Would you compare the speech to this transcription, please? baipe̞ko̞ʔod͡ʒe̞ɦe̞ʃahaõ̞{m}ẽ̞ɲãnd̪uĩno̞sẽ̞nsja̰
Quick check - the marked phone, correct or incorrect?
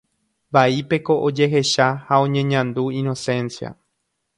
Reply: incorrect